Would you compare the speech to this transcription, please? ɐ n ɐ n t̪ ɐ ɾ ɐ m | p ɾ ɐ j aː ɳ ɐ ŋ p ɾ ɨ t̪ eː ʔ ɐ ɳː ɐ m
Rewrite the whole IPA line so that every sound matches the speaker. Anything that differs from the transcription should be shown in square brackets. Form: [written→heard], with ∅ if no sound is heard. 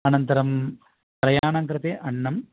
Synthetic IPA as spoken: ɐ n ɐ n t̪ ɐ ɾ ɐ m | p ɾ ɐ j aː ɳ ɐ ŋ [p→k] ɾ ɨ t̪ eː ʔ ɐ ɳː ɐ m